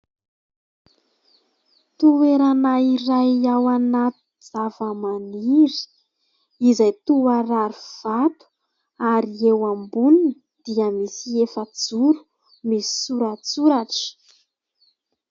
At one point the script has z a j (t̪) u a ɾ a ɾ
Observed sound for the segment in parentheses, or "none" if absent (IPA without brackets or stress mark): t̪